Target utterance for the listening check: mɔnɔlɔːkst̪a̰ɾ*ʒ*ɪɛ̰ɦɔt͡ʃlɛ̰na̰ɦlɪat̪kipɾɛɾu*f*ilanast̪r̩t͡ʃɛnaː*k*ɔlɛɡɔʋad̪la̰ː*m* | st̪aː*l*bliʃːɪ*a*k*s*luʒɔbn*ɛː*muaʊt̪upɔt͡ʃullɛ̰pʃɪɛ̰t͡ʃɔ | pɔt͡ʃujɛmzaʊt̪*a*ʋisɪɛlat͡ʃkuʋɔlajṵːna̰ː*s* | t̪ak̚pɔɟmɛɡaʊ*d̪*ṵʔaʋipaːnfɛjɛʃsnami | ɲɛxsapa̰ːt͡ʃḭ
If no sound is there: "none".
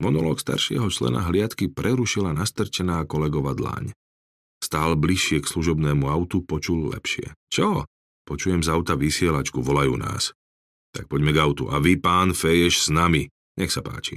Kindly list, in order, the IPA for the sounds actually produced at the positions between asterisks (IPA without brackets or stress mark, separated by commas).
ʃ, ʃ, k, ɲ, l, ɛ, s, ɛː, a, s, t̪